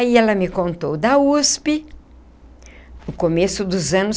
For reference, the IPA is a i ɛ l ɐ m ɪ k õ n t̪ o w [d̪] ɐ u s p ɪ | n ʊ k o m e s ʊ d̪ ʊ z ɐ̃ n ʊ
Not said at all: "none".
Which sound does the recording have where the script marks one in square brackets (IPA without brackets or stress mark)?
d̪